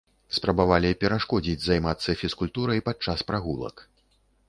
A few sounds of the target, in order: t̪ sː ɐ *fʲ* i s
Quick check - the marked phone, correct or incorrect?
correct